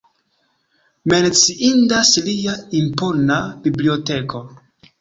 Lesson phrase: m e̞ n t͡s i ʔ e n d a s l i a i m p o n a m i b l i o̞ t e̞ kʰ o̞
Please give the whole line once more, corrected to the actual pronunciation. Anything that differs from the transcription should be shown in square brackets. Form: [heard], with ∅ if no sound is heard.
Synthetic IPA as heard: m e̞ n t͡s i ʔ [i] n d a s l i a i m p o n a [b] i b l i o̞ t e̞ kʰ o̞